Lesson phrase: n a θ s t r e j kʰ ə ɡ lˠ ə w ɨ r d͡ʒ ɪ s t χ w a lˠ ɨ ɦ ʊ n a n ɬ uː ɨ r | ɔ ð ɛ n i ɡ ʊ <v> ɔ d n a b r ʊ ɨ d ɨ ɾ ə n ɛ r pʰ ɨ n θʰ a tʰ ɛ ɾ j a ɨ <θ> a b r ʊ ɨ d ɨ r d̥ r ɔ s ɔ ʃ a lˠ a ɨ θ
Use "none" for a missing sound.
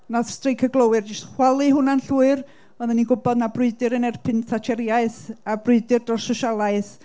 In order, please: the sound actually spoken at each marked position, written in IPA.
b, θ

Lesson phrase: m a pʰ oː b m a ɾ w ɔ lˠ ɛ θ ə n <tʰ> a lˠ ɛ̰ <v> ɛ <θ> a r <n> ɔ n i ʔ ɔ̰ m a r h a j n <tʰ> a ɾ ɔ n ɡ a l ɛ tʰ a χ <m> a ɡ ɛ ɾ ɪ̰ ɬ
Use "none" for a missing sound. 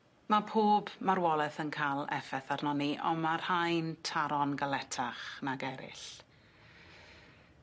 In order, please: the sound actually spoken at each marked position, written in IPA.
kʰ, f, θ, n, tʰ, n

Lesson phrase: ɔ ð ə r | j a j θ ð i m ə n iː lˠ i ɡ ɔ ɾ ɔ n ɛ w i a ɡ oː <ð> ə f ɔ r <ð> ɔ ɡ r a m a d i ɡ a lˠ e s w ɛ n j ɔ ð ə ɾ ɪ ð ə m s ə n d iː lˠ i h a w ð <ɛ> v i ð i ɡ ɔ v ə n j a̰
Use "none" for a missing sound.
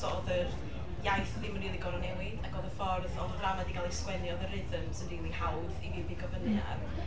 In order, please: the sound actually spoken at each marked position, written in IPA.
ð, ð, i

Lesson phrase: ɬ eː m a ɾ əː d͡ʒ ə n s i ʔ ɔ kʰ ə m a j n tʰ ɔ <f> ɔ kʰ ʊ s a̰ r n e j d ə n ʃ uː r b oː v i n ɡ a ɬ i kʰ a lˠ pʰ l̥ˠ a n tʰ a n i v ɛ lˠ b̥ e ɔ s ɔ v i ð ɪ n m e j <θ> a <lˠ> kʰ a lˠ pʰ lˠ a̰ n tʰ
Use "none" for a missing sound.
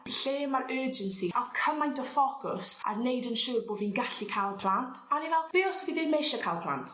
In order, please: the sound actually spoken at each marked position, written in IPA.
f, ʃ, none

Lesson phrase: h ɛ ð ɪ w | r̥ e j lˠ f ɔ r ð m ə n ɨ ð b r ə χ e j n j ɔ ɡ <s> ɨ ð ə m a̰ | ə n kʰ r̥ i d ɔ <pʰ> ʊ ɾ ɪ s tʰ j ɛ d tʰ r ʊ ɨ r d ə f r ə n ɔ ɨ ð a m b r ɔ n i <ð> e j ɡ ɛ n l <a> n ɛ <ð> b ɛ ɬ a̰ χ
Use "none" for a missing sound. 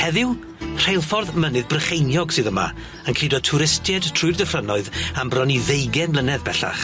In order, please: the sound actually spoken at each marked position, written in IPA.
s, tʰ, ð, ə, ð

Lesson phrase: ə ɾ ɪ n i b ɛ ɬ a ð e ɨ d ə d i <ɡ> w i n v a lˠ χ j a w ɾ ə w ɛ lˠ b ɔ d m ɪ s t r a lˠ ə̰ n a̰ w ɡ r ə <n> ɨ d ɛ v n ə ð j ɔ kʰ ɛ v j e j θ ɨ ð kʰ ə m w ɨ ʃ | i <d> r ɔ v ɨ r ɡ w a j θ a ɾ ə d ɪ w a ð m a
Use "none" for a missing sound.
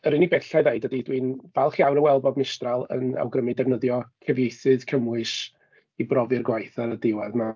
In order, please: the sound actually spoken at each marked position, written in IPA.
d, m, b

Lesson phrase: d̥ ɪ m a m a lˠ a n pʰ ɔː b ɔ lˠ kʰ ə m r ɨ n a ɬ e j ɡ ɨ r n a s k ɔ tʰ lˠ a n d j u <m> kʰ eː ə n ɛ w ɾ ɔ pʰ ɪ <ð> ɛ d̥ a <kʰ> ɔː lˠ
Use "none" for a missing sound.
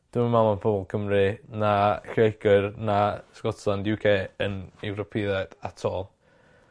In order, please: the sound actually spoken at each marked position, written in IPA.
none, ð, tʰ

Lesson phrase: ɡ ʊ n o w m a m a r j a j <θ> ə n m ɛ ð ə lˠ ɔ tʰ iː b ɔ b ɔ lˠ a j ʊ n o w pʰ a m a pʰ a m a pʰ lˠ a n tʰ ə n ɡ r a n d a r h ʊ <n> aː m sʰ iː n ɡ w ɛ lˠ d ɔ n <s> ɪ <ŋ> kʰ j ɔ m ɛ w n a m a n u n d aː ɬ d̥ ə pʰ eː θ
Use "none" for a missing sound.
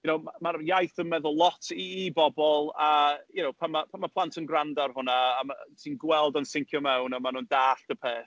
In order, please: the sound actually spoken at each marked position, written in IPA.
θ, n, s, ŋ

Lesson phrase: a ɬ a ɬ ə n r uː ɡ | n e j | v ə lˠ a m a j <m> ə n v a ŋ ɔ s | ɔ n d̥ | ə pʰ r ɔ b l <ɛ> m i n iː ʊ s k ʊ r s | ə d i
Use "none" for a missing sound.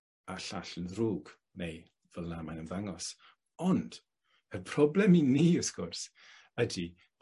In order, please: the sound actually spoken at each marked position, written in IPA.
n, ɛ

